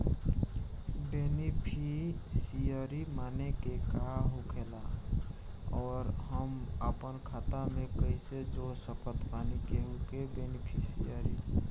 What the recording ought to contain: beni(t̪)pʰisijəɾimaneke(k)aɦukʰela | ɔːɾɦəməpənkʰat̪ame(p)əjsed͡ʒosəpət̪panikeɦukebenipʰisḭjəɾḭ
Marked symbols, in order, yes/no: no, yes, no

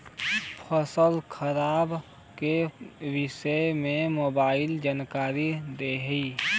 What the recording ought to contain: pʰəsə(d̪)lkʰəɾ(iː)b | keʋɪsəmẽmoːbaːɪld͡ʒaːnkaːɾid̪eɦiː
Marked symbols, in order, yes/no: no, no

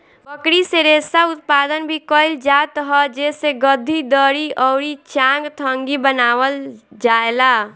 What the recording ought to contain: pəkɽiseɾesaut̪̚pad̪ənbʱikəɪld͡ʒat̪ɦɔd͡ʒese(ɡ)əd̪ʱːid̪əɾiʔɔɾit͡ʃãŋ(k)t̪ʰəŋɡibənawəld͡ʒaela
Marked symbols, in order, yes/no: yes, no

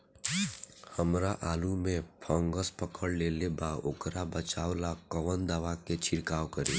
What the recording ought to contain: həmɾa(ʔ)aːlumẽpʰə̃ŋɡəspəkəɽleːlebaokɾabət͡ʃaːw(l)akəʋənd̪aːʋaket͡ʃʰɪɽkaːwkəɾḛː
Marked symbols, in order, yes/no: yes, yes

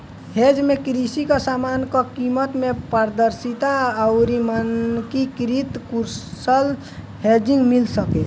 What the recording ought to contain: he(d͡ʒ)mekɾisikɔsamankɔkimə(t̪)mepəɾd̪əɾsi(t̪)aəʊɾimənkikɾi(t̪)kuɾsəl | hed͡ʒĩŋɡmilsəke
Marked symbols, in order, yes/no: yes, yes, yes, yes

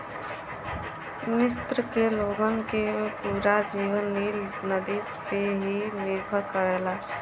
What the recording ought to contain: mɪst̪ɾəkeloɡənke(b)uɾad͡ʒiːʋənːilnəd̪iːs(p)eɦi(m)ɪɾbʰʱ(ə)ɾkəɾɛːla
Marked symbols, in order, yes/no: no, yes, yes, yes

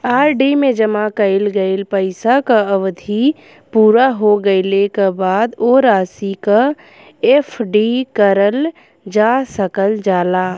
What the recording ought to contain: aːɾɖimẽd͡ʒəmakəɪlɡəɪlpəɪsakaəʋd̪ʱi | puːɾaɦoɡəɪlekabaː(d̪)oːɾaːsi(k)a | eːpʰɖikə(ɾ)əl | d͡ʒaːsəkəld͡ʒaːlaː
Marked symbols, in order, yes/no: yes, yes, yes

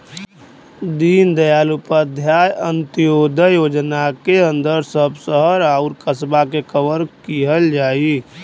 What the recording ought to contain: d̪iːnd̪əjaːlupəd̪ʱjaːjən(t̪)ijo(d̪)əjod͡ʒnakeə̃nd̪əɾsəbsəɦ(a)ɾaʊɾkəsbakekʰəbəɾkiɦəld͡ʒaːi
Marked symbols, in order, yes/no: yes, yes, no

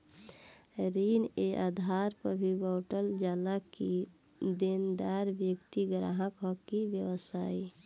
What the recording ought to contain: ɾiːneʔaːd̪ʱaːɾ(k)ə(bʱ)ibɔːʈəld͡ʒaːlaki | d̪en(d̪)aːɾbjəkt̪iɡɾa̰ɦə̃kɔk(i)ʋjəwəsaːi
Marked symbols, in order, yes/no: no, yes, yes, yes

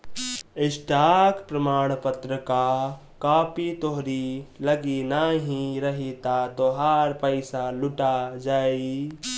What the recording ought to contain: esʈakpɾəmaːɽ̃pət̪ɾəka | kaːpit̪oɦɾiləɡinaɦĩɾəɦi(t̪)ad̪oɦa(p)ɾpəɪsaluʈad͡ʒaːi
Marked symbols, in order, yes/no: yes, no

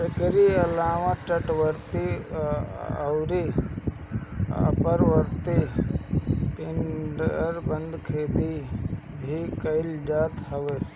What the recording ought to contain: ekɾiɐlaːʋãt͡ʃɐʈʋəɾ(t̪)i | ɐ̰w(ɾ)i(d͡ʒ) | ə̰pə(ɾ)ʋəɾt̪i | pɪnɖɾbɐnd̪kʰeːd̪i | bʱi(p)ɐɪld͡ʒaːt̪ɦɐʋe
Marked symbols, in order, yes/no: yes, yes, no, yes, no

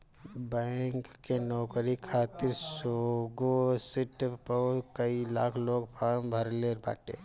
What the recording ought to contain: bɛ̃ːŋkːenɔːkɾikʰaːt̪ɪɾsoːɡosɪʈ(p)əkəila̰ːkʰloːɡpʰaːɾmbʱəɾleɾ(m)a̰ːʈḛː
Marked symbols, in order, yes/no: yes, no

